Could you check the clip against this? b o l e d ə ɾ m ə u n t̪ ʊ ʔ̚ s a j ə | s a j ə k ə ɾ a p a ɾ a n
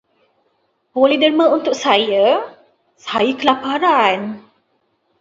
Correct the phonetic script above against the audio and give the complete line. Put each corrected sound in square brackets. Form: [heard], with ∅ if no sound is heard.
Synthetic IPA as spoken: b o l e d ə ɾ m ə u n t̪ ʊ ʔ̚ s a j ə | s a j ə k ə [l] a p a ɾ a n